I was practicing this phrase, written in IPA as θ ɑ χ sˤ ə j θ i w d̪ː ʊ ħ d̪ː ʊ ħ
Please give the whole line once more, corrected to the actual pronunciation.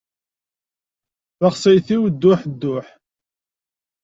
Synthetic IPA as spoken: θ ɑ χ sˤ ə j θ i w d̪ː ʊ ħ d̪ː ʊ ħ

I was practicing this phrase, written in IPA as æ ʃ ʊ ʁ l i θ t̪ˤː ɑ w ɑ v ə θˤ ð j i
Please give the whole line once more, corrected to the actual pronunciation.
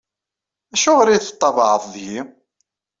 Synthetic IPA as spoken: æ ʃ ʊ ʁ ɾ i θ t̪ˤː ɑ v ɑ ʕ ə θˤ ð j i

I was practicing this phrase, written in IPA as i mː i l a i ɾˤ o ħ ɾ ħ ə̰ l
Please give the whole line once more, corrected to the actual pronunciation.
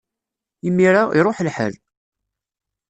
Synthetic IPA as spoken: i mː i ɾ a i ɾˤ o ħ l ħ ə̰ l

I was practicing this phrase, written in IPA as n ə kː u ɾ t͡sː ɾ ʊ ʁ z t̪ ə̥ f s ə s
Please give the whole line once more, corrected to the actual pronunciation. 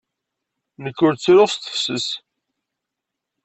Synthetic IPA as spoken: n ə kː ʊ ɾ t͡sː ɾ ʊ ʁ s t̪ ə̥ f s ə s

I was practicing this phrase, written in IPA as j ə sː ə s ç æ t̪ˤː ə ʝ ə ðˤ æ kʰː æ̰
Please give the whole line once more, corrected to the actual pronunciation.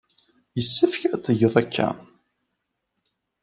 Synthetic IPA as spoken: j ə sː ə f ç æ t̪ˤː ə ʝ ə ðˤ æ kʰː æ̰

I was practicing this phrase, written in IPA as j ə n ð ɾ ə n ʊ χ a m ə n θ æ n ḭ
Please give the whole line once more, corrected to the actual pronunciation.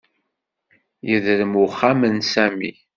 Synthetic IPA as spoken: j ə ð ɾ ə m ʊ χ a m ə n s æ m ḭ

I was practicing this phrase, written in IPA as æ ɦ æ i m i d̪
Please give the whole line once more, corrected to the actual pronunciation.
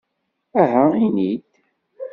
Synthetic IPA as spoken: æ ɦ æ i n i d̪

